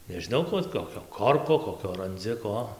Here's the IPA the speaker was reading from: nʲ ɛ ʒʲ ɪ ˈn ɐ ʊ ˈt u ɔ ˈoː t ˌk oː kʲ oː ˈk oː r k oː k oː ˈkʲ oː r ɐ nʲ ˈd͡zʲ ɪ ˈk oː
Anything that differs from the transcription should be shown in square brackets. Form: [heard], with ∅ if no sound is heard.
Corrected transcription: nʲ ɛ ʒʲ ɪ ˈn ɐ ʊ [ˈk] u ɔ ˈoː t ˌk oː kʲ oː ˈk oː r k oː k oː ˈkʲ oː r ɐ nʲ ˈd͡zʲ ɪ ˈk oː